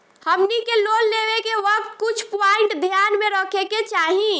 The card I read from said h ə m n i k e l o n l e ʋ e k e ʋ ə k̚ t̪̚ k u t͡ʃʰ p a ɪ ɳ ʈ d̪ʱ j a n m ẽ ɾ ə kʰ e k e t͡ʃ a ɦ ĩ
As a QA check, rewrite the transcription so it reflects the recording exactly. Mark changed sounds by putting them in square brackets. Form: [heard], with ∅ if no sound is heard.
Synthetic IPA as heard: h ə m n i k e l o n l e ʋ e k e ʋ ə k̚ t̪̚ k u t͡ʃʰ p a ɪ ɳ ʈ d̪ʱ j a n m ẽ ɾ ə kʰ e k e t͡ʃ a ɦ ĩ